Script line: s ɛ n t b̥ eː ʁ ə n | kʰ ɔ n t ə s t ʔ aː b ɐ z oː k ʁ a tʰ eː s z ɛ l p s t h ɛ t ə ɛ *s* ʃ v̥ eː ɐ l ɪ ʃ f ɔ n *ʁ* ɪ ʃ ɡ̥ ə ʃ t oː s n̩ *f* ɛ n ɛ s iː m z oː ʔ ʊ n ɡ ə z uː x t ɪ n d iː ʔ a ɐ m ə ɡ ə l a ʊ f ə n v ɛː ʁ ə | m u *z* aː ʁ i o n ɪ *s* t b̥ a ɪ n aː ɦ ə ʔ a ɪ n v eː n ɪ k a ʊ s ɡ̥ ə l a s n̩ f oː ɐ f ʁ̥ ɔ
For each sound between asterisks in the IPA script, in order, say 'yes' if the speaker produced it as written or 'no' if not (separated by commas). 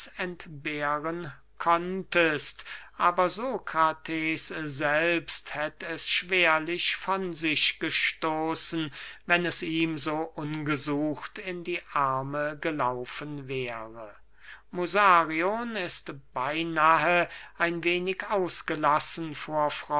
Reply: yes, no, no, yes, yes